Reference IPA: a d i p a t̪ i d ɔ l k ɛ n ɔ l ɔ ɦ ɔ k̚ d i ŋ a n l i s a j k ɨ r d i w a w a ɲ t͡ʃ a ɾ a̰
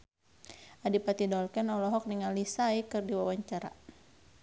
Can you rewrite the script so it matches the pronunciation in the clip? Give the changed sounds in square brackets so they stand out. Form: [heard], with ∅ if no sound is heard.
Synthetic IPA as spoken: a d i p a t̪ i d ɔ l k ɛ n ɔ l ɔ ɦ ɔ k̚ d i ŋ a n l i s a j k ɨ r d i w a w a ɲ t͡ʃ a ɾ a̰